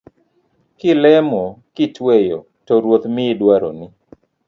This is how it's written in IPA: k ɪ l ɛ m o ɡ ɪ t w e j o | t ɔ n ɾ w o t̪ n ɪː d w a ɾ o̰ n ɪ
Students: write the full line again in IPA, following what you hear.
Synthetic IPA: k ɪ l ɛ m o k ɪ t w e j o | t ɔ ɾ w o t̪ m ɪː d w a ɾ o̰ n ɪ